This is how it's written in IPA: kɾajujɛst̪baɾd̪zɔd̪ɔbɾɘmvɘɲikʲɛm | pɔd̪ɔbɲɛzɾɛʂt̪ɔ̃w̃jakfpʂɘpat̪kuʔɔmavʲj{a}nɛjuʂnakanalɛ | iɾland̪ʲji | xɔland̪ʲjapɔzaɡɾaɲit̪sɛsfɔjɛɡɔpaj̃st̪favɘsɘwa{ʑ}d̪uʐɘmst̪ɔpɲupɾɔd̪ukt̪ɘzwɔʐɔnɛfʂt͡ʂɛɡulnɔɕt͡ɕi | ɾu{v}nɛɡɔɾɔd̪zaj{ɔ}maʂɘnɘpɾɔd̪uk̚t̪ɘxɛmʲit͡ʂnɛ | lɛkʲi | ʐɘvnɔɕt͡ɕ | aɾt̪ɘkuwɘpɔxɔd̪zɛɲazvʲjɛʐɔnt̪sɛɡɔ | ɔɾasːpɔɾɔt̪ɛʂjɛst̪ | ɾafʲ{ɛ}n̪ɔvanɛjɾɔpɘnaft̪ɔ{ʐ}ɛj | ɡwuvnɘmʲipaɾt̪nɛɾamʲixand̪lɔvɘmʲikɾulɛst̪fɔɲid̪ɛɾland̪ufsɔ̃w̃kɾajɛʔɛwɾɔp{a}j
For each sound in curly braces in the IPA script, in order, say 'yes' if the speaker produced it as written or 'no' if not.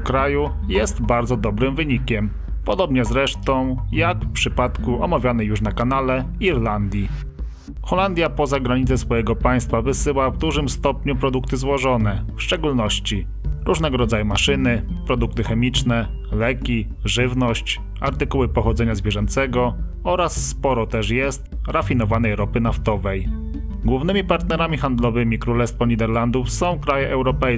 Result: yes, no, no, no, no, no, no

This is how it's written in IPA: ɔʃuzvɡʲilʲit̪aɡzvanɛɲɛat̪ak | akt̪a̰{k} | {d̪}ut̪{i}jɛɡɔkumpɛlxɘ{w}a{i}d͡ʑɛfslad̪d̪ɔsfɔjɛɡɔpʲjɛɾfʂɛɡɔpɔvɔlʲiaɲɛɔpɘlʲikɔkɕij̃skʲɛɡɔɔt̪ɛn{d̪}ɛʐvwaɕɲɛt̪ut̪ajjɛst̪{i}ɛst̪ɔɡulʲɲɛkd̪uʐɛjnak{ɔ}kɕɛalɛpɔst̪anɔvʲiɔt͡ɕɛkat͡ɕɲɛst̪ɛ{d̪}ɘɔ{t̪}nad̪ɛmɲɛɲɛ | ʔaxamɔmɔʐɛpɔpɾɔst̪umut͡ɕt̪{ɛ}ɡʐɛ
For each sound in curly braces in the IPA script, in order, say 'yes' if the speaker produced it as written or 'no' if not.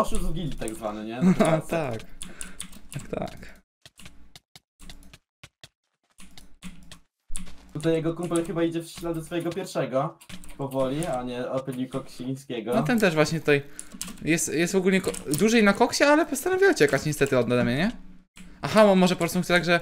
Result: yes, no, no, no, yes, no, no, yes, no, no, no

